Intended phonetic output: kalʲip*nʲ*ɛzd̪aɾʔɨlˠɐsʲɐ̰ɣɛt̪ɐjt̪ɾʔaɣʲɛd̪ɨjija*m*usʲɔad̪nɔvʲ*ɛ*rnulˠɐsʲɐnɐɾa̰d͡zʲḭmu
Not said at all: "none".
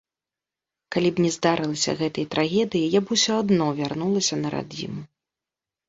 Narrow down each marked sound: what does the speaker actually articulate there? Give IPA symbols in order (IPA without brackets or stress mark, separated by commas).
nʲ, b, a